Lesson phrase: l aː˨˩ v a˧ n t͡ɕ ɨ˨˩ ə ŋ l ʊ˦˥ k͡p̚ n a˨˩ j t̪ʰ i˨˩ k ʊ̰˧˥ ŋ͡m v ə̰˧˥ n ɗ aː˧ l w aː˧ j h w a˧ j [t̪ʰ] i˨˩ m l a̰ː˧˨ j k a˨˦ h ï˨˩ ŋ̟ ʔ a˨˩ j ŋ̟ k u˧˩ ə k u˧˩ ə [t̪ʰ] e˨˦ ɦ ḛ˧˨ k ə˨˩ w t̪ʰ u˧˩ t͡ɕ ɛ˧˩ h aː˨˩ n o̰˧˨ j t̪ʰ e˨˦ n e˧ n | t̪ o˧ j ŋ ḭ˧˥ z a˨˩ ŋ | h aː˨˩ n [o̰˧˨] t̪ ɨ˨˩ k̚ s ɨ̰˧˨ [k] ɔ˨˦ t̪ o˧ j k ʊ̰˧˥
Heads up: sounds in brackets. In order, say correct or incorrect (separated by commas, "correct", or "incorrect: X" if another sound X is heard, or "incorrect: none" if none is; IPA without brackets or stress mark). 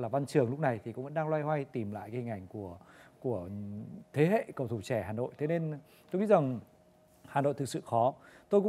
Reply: incorrect: t̪, correct, correct, incorrect: x